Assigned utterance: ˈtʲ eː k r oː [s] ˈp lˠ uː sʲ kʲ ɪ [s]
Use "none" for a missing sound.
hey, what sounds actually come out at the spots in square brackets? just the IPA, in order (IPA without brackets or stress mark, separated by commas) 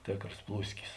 s, s